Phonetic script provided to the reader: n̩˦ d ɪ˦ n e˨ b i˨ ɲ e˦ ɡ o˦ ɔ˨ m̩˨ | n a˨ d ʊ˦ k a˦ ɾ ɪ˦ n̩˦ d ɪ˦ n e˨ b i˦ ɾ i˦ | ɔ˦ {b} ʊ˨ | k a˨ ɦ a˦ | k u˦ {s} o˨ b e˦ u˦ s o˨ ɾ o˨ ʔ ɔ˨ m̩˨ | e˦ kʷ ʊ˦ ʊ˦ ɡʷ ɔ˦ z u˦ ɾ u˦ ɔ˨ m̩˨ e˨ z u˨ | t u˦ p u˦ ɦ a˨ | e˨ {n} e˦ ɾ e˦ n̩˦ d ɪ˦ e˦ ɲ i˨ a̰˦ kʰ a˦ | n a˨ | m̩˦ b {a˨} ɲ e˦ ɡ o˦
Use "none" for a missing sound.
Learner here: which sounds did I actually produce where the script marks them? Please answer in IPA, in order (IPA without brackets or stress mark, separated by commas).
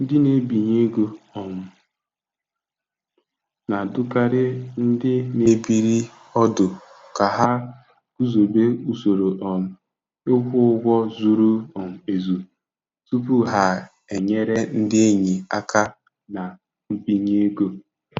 d, z, ɲ, i˨